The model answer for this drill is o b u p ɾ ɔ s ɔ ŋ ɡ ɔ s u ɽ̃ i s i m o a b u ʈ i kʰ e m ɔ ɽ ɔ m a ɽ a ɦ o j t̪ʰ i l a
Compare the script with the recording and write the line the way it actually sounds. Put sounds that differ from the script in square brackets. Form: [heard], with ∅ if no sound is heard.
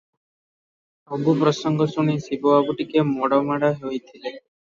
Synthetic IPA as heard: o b u p ɾ ɔ s ɔ ŋ ɡ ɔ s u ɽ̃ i s i [b] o a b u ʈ i [k] e m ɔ ɽ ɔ m a ɽ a ɦ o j t̪ʰ i l [e]